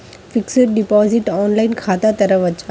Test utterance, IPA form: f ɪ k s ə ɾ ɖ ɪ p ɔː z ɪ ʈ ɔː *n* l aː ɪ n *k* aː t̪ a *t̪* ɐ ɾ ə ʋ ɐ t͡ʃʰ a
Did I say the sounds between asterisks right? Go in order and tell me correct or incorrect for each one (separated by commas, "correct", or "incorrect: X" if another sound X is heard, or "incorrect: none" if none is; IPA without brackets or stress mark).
correct, incorrect: kʰ, correct